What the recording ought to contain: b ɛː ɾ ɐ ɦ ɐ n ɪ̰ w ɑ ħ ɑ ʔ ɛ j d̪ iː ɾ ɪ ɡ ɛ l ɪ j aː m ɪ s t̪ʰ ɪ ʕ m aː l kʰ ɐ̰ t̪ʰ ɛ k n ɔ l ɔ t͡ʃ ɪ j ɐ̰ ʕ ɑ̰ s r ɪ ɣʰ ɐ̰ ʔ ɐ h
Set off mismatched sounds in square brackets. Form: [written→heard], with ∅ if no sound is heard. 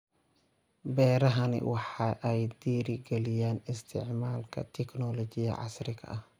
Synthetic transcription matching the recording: b ɛː ɾ ɐ ɦ ɐ n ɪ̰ w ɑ ħ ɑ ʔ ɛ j d̪ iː ɾ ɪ ɡ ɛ l ɪ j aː [m→n] ɪ s t̪ʰ ɪ ʕ m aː l kʰ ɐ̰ t̪ʰ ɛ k n ɔ l ɔ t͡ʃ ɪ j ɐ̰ ʕ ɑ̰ s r ɪ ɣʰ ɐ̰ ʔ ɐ h